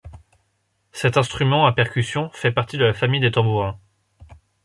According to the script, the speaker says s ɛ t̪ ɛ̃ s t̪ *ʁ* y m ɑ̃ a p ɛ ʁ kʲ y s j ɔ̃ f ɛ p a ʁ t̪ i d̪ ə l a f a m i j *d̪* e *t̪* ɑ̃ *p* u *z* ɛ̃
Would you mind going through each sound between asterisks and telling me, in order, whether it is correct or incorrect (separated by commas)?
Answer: incorrect, correct, correct, incorrect, incorrect